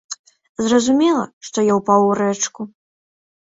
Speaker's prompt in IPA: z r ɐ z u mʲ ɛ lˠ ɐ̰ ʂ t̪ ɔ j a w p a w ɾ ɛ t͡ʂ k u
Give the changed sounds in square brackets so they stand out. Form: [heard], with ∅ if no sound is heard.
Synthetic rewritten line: z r ɐ z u mʲ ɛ lˠ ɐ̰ ʂ t̪ ɔ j a w p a w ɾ ɛ t͡ʂ k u